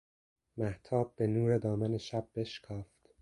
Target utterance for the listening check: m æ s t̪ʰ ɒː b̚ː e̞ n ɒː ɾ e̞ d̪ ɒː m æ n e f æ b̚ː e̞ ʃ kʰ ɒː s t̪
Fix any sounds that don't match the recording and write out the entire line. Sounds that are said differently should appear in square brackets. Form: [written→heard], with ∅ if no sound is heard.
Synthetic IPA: m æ [s→h] t̪ʰ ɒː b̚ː e̞ n [ɒː→uː] ɾ e̞ d̪ ɒː m æ n e [f→ʃ] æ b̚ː e̞ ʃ kʰ ɒː [s→f] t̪